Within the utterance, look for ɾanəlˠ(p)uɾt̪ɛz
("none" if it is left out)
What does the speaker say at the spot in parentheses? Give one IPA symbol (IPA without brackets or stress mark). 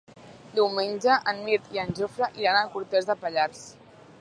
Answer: k